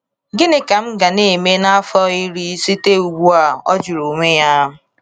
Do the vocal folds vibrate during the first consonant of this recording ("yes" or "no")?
yes